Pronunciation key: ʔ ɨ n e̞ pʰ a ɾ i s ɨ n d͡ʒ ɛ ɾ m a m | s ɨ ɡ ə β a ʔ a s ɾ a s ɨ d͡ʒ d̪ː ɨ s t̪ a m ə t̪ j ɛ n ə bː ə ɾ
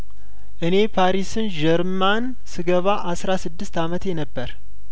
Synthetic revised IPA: ʔ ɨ n e̞ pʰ a ɾ i s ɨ n d͡ʒ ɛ ɾ m a n | s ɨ ɡ ə β a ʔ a s ɾ a s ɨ d̪ː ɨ s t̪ a m ə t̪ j ɛ n ə bː ə ɾ